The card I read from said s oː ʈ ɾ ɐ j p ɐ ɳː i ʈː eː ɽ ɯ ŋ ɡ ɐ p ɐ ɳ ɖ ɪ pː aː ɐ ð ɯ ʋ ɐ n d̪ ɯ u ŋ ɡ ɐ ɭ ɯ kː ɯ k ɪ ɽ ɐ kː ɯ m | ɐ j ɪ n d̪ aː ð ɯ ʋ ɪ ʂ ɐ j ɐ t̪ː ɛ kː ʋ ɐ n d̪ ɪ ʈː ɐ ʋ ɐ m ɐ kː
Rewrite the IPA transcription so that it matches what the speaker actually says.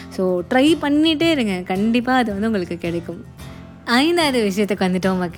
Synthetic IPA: s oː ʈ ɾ ɐ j p ɐ ɳː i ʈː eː ɾ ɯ ŋ ɡ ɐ k ɐ ɳ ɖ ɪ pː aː ɐ ð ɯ ʋ ɐ n d̪ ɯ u ŋ ɡ ɐ ɭ ɯ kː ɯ k ɪ ɽ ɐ kː ɯ m | ɐ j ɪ n d̪ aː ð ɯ ʋ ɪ ʂ ɐ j ɐ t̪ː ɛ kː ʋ ɐ n d̪ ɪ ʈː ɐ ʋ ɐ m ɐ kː